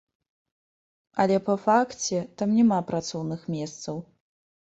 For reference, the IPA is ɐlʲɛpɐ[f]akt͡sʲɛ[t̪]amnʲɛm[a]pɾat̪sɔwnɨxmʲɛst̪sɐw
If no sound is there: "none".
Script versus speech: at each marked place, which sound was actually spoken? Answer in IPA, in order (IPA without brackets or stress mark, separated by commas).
f, t̪, a